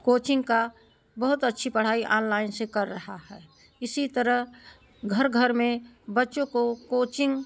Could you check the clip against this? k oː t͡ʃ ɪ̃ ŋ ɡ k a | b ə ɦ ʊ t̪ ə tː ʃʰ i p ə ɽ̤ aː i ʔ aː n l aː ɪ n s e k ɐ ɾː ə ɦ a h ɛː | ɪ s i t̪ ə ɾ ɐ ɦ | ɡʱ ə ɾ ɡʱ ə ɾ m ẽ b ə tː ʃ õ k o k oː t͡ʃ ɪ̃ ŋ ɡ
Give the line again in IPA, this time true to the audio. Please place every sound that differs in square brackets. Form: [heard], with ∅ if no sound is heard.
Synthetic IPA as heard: k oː t͡ʃ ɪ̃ ŋ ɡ k a | b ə ɦ ʊ t̪ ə tː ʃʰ i p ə ɽ̤ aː i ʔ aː n l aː ɪ n s e k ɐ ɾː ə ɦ a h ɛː | ɪ s i t̪ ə ɾ [ə] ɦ | ɡʱ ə ɾ ɡʱ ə ɾ m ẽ b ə tː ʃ õ k o k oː t͡ʃ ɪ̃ ŋ ɡ

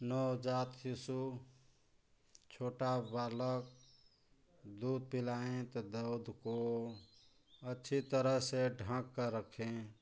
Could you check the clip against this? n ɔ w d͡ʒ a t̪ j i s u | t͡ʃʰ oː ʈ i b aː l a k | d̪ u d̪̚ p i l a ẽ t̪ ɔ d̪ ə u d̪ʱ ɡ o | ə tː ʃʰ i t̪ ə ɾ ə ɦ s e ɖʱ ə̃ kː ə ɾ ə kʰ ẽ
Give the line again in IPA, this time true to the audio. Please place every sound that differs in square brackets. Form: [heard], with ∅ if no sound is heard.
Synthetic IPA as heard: n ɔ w d͡ʒ a t̪ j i s u | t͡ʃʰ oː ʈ [a] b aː l [ə] k | d̪ u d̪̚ p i l a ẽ t̪ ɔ d̪ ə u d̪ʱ [k] o | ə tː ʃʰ i t̪ ə ɾ ə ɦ s e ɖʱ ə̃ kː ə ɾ ə kʰ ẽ

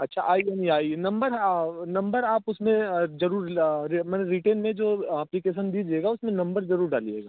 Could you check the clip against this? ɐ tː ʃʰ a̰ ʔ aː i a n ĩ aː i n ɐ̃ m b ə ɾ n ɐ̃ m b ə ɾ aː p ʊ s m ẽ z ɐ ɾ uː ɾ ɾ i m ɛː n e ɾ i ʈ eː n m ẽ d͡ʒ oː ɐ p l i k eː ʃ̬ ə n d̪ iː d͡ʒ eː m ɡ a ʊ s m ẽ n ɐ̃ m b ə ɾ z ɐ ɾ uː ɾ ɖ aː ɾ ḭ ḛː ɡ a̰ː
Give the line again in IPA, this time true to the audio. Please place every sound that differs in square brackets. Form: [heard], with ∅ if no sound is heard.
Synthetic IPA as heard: ɐ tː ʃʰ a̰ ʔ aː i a n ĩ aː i n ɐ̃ m b ə ɾ n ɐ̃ m b ə ɾ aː p ʊ s m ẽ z ɐ ɾ uː ɾ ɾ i m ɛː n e ɾ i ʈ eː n m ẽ d͡ʒ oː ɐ p l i k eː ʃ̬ ə n d̪ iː d͡ʒ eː [∅] ɡ a ʊ s m ẽ n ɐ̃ m b ə ɾ z ɐ ɾ uː ɾ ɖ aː [l] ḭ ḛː ɡ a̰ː

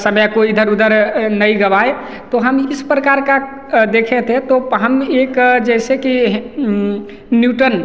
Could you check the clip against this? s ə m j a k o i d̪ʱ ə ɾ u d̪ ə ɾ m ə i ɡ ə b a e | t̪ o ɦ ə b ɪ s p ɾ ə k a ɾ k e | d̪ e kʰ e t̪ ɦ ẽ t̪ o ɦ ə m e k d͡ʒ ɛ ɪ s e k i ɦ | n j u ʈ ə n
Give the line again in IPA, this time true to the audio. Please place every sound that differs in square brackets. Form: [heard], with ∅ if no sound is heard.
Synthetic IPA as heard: s ə m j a k o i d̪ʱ ə ɾ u d̪ ə ɾ [n] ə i ɡ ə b a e | t̪ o ɦ ə [m] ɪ s p ɾ ə k a ɾ k [a] | d̪ e kʰ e t̪ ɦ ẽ t̪ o ɦ ə m e k d͡ʒ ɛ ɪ s e k i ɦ | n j u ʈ ə n

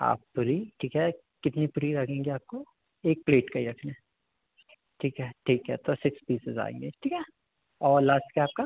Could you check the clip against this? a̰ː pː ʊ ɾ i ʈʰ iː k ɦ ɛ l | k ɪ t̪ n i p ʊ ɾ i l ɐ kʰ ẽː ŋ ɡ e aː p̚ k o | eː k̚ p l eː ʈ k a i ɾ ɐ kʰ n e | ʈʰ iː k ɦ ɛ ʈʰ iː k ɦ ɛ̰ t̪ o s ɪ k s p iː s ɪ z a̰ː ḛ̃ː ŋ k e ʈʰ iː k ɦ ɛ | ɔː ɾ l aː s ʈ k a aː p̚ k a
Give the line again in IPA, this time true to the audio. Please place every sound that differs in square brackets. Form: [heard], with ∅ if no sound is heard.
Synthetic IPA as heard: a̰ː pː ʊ ɾ i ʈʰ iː k ɦ ɛ [∅] | k ɪ t̪ n i p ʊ ɾ i [ɾ] ɐ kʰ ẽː ŋ ɡ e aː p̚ k o | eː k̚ p l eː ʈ k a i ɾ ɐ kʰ n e | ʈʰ iː k ɦ ɛ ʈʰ iː k ɦ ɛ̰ t̪ o s ɪ k s p iː s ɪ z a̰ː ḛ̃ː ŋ [ɡ] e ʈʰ iː k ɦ ɛ | ɔː ɾ l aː s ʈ k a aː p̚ k a

